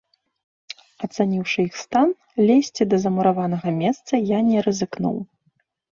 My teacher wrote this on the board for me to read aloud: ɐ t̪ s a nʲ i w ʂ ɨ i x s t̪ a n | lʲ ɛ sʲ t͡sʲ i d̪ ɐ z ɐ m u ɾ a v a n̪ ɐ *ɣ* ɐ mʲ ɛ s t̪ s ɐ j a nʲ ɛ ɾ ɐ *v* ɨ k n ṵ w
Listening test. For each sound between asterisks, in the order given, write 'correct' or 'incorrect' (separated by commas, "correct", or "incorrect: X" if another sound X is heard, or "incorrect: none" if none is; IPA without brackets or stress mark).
correct, incorrect: z